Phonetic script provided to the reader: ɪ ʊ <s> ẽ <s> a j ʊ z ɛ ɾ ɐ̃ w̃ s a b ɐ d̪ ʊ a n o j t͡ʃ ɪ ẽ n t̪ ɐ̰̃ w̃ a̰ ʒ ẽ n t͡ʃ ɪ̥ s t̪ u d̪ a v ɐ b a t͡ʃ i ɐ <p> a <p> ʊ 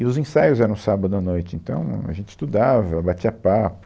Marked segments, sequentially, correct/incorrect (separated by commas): incorrect, correct, correct, correct